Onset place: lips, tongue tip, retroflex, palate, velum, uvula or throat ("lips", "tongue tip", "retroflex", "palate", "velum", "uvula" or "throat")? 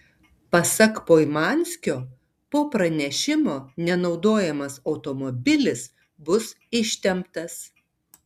lips